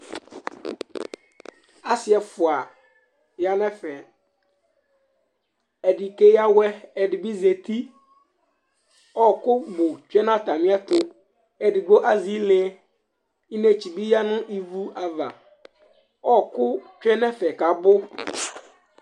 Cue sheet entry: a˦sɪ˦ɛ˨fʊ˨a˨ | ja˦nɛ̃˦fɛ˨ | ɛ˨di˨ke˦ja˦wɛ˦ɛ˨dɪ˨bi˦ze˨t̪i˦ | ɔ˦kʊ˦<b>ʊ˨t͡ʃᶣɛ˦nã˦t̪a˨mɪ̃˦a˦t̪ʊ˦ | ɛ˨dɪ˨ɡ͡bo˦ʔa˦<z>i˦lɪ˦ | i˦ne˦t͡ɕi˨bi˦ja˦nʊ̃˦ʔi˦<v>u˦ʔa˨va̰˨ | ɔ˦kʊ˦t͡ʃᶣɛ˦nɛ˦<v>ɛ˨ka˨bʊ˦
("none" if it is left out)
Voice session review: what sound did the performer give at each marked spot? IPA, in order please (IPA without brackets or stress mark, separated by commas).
b, z, v, f